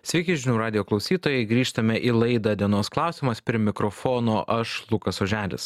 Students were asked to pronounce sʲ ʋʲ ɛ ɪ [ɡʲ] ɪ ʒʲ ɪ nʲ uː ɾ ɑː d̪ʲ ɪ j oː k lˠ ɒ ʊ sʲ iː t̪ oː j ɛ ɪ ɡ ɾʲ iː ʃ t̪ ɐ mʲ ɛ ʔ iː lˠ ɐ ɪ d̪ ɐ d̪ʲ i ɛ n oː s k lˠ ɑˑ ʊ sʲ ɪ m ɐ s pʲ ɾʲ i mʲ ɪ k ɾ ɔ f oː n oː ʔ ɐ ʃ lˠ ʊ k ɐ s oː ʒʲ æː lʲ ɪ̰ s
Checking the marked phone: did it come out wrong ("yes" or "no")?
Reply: yes